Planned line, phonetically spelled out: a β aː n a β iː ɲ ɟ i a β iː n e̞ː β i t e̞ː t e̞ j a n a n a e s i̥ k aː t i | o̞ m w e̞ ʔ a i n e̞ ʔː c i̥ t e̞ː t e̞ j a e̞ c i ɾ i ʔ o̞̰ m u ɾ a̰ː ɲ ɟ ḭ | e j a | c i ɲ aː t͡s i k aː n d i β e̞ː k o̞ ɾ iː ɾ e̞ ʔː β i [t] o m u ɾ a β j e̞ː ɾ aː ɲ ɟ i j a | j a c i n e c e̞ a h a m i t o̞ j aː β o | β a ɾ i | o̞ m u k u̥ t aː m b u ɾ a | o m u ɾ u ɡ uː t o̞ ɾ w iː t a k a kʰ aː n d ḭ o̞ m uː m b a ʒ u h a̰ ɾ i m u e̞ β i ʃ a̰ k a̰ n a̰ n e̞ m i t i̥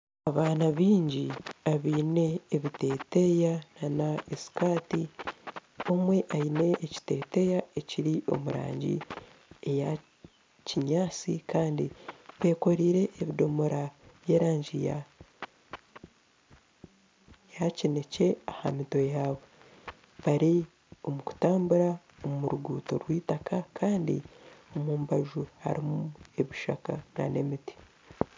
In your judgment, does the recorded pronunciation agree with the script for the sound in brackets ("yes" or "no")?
no